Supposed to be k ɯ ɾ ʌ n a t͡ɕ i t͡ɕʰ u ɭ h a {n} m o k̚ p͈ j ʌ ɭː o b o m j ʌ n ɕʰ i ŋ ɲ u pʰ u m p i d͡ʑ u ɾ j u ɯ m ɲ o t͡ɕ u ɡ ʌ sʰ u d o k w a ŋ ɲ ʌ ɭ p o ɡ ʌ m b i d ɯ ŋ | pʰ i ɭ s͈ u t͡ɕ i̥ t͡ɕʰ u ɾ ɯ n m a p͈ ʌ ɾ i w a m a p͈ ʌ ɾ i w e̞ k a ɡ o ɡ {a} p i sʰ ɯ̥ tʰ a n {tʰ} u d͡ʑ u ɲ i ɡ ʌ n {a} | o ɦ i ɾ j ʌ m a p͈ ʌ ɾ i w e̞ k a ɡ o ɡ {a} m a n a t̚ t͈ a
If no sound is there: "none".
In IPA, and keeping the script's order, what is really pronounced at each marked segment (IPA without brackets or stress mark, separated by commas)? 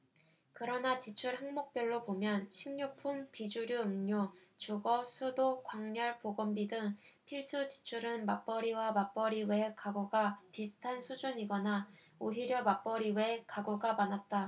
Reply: ŋ, a, sʰ, a, a